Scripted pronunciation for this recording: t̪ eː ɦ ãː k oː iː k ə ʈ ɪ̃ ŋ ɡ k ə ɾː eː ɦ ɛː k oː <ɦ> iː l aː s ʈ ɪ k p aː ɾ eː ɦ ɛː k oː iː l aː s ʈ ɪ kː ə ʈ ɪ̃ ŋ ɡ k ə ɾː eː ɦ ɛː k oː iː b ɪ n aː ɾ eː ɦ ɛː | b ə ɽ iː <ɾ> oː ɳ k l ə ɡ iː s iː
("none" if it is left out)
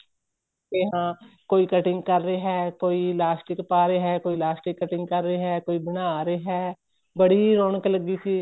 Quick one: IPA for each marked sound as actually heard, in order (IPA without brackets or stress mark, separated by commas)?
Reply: none, ɾ